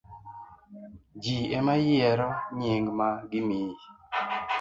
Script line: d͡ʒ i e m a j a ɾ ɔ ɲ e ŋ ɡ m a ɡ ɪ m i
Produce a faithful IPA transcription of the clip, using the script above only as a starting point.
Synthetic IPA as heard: d͡ʒ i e m a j ɛ ɾ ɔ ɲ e ŋ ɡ m a ɡ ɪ m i